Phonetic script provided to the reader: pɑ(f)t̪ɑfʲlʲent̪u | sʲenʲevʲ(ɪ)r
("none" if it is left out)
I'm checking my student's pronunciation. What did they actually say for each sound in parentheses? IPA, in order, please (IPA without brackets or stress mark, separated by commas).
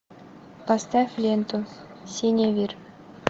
s, i